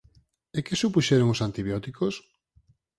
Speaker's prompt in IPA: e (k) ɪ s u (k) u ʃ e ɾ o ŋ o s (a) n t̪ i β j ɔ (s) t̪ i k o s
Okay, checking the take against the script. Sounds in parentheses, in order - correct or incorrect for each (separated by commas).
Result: correct, incorrect, correct, incorrect